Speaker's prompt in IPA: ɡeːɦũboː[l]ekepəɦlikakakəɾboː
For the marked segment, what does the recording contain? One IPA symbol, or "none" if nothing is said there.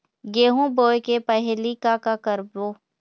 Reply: none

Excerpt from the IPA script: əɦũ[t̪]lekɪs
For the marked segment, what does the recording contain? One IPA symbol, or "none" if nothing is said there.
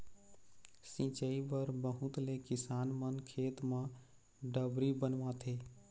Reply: t̪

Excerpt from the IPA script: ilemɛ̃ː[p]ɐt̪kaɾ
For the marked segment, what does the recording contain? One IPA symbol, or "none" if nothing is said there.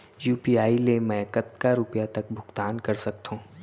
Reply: k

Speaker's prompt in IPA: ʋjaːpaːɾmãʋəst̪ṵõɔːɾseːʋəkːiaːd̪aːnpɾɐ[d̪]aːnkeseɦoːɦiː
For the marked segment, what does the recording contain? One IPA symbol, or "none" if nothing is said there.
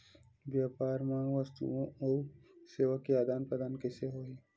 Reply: d̪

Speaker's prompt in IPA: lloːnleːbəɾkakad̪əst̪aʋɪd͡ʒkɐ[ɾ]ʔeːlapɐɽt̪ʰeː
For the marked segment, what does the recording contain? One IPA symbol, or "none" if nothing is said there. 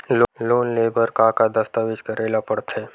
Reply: ɾ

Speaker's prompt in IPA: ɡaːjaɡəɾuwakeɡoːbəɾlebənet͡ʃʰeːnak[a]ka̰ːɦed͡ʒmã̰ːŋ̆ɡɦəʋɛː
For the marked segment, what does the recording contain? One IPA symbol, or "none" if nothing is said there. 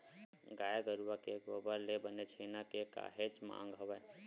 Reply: e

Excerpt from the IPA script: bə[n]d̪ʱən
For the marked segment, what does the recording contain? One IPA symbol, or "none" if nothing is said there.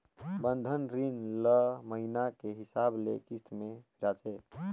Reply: n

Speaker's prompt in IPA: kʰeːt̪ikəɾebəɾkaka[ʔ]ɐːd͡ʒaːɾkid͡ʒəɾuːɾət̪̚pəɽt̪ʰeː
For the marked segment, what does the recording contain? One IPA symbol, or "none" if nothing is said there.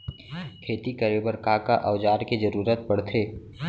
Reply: ʔ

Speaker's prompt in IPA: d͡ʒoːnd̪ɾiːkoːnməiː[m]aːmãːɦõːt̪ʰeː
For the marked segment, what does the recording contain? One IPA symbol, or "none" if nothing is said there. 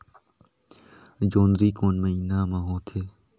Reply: n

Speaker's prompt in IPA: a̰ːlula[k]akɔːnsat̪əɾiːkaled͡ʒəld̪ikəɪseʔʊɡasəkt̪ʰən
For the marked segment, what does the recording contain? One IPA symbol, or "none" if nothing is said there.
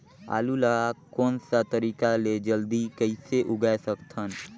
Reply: none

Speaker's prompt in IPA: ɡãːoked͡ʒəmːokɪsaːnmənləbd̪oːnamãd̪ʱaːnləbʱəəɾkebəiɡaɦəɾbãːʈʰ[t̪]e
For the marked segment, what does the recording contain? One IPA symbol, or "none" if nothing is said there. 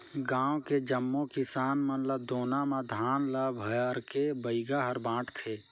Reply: t̪ʰ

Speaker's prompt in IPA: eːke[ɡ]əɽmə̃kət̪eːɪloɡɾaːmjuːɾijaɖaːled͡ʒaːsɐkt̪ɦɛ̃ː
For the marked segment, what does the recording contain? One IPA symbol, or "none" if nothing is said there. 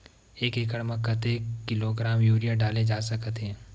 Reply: k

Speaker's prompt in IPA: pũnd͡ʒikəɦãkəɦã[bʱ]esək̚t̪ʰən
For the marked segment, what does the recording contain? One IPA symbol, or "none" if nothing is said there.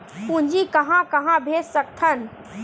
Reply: bʱ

